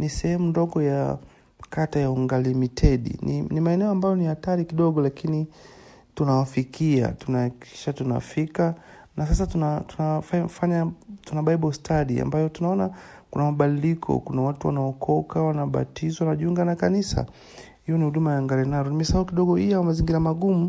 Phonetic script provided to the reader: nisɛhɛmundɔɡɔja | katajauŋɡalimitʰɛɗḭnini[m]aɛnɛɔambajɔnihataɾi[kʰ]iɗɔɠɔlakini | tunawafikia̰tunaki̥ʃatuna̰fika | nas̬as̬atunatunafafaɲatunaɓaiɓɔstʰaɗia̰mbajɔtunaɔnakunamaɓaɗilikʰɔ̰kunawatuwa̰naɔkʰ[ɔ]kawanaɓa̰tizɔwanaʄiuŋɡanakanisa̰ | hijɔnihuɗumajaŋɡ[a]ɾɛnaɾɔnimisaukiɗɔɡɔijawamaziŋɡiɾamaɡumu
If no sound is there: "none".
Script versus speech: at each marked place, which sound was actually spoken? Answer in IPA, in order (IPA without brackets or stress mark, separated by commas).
m, k, ɔ, a